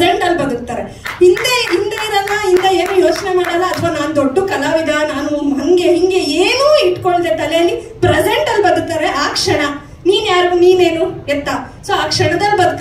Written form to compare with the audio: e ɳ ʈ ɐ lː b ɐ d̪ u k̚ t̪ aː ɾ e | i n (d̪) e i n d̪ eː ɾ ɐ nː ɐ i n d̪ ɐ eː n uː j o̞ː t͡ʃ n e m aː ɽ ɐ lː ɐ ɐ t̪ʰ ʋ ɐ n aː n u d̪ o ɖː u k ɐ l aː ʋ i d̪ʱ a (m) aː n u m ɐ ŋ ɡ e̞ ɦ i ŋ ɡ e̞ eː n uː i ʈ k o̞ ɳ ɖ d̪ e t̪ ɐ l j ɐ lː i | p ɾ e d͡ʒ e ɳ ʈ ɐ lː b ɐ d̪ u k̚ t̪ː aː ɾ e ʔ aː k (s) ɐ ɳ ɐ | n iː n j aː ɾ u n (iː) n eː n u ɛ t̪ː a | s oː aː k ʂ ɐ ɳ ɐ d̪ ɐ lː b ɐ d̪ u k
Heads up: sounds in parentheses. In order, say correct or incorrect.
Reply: correct, incorrect, incorrect, correct

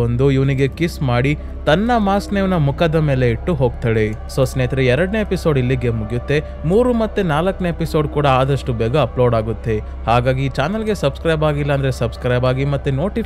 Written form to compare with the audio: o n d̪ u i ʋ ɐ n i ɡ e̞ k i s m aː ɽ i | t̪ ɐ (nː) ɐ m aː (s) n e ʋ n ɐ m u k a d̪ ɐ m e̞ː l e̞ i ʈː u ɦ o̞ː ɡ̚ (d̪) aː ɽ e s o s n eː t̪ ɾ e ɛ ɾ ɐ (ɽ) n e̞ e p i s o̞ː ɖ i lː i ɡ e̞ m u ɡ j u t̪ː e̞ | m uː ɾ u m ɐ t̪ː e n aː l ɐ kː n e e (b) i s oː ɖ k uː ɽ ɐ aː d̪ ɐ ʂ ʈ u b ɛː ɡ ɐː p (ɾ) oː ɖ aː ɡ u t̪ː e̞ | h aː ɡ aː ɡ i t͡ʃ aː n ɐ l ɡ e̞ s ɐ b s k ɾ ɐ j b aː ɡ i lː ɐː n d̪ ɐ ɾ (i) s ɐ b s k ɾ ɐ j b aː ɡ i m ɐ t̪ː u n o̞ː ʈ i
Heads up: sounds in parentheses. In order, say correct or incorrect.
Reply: correct, correct, incorrect, correct, incorrect, incorrect, incorrect

